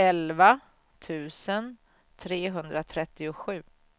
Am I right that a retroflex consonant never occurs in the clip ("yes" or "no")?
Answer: yes